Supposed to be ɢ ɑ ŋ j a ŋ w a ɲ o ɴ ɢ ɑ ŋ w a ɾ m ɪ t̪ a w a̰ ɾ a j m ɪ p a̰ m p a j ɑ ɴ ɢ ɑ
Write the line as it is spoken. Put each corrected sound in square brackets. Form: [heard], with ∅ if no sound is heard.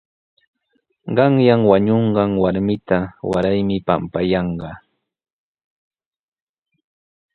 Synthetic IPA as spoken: ɢ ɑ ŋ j a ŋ w a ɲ o ɴ ɢ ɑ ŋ w a ɾ m ɪ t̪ a w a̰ ɾ a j m ɪ p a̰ m p a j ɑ ɴ ɢ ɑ